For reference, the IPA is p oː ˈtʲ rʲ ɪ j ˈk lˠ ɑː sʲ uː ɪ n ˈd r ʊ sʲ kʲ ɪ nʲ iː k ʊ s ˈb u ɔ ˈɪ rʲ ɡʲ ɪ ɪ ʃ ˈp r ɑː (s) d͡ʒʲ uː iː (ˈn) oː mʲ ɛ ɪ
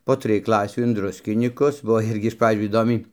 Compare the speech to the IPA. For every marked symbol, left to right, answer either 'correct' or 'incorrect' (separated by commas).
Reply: incorrect, incorrect